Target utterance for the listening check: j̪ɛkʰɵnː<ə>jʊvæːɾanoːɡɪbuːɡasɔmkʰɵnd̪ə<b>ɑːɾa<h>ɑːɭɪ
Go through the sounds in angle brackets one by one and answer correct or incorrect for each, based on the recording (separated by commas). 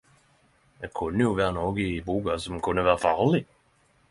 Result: correct, incorrect, incorrect